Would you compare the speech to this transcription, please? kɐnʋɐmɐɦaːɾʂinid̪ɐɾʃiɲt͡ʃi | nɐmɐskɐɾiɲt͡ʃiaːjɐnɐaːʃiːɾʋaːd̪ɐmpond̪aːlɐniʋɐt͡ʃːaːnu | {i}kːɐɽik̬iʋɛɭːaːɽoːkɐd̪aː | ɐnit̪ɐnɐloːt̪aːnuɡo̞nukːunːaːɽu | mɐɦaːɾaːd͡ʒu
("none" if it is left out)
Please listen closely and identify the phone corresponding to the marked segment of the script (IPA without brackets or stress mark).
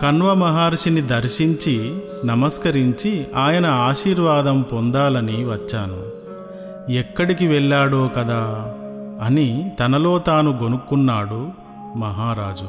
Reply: ɛ